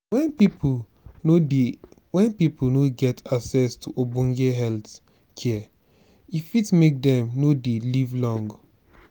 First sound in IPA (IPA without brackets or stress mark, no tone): w